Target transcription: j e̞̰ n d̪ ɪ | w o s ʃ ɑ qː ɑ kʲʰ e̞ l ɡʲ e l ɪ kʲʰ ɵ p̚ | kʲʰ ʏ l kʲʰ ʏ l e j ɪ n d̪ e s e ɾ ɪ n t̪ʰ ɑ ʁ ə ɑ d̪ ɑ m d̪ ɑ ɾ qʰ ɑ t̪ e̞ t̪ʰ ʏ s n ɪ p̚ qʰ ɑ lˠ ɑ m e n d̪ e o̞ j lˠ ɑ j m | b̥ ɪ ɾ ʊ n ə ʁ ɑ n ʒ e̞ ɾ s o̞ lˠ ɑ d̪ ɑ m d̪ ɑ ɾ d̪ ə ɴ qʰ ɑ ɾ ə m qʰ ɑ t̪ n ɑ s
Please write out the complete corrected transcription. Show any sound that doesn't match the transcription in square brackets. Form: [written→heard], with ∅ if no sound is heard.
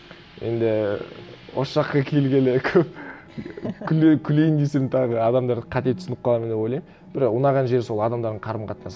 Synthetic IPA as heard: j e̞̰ n d̪ ɪ | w o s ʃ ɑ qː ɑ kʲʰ e̞ l ɡʲ e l ɪ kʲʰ ɵ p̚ | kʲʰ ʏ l kʲʰ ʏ l e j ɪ n d̪ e s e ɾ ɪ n t̪ʰ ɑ ʁ ə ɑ d̪ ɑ m d̪ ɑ ɾ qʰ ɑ t̪ e̞ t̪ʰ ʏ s n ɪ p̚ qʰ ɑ lˠ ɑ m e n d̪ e o̞ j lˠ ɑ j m | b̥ ɪ ɾ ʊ n [ə→ɑ] ʁ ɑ n ʒ e̞ ɾ s o̞ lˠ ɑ d̪ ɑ m d̪ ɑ ɾ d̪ ə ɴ qʰ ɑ ɾ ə m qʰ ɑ t̪ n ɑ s